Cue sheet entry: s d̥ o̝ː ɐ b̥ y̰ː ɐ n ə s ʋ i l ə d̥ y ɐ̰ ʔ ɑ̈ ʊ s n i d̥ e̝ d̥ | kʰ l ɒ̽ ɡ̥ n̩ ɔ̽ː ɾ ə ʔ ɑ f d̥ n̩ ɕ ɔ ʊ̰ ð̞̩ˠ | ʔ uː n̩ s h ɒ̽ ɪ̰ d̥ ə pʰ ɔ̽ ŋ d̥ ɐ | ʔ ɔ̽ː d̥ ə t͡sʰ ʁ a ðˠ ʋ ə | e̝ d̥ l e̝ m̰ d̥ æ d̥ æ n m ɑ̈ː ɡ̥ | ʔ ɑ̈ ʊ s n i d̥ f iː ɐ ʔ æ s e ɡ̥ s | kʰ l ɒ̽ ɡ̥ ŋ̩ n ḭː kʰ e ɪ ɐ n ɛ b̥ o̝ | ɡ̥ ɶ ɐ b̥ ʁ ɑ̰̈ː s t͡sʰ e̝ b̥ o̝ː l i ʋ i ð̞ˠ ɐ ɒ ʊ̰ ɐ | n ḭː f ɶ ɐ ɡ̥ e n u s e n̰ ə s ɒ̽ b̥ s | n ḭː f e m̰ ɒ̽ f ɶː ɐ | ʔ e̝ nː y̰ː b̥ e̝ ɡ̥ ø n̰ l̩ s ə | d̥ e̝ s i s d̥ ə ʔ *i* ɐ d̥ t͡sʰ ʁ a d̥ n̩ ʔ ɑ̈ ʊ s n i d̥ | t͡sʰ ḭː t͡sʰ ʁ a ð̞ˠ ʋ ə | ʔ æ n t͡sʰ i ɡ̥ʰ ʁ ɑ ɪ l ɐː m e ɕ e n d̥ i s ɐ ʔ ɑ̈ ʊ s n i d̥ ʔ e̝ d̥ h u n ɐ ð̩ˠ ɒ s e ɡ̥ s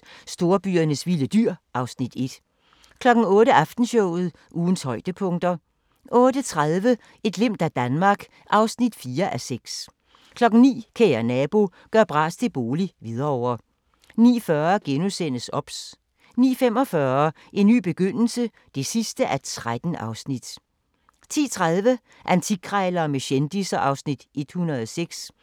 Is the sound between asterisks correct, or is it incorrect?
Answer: incorrect